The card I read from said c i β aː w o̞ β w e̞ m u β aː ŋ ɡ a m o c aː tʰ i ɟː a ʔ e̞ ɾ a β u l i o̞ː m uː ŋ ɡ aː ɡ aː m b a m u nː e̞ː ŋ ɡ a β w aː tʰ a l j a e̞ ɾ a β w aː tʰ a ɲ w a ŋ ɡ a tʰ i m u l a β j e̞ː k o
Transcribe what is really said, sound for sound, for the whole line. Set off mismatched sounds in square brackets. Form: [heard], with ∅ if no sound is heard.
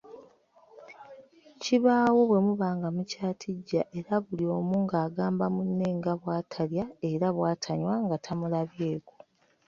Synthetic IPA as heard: c i β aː w o̞ β w e̞ m u β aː ŋ ɡ a m [u] c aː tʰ i ɟː a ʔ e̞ ɾ a β u l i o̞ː m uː ŋ ɡ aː ɡ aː m b a m u nː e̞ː ŋ ɡ a β w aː tʰ a l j a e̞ ɾ a β w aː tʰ a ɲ w a ŋ ɡ a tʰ [a] m u l a β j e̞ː k o